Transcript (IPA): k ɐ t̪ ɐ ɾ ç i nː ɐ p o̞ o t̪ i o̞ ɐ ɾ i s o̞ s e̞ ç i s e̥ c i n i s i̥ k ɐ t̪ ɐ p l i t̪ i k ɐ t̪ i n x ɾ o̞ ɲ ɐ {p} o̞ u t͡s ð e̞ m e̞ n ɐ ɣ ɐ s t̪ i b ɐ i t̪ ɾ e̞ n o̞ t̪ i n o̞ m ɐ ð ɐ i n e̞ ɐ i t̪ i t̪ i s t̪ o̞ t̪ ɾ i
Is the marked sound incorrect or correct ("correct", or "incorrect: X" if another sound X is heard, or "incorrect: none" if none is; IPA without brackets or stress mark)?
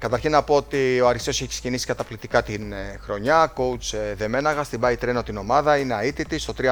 incorrect: k